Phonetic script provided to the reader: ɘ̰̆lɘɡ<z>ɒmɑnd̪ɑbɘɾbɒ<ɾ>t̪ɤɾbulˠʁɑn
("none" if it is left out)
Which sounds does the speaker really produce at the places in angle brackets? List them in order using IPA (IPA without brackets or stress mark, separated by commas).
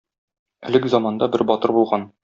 z, none